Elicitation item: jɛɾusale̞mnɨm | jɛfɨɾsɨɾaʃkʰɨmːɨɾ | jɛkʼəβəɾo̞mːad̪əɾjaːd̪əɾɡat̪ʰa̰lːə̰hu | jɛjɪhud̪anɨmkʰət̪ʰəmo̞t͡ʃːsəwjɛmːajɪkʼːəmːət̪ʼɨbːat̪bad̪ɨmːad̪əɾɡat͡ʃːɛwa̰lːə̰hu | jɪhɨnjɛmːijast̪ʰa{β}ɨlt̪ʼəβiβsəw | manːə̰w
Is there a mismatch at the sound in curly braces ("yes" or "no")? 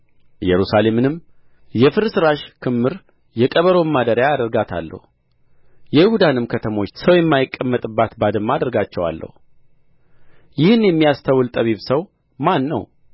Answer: yes